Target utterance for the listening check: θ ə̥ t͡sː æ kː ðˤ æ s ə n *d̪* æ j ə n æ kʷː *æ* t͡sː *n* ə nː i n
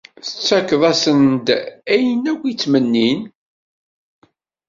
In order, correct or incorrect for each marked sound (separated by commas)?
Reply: correct, incorrect, incorrect